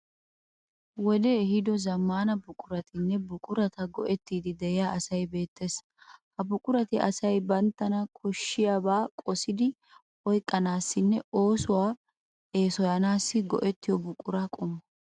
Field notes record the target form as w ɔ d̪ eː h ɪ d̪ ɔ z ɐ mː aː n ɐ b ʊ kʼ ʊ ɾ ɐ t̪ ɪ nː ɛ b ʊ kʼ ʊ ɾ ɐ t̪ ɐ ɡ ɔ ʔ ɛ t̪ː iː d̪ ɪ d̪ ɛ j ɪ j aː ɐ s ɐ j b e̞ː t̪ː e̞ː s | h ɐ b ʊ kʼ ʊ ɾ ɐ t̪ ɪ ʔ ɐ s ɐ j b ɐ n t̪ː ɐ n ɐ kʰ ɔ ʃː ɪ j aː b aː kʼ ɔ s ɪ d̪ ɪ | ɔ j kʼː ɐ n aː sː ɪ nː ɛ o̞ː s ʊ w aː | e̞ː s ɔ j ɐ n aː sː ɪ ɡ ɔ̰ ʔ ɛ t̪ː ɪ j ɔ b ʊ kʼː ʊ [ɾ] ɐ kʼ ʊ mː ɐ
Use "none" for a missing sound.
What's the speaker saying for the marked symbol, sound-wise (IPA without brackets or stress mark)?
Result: ɾ